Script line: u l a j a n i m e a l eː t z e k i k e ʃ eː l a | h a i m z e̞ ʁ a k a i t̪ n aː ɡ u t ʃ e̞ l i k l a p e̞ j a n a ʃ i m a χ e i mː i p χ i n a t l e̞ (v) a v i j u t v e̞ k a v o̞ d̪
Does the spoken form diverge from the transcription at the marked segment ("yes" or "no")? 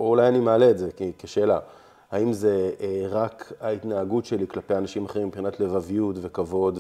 no